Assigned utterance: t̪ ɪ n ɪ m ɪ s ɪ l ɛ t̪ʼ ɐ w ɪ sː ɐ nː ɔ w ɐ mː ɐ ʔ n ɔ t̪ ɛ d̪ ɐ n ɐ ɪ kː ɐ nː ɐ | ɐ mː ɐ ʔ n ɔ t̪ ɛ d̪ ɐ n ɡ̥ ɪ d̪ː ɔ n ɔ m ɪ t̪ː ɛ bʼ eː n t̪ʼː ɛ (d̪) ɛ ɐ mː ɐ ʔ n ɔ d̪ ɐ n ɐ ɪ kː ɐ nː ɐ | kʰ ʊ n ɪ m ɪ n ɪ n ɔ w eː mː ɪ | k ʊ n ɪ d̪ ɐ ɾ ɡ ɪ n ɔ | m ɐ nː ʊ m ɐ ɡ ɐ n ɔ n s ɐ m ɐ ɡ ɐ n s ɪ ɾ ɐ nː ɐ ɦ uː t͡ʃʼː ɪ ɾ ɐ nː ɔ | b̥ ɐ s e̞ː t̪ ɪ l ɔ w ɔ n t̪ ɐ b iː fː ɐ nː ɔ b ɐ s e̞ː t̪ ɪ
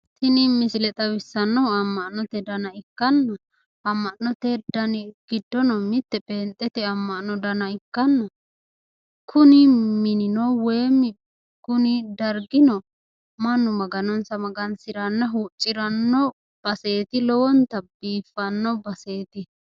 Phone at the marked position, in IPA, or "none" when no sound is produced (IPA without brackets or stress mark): t̪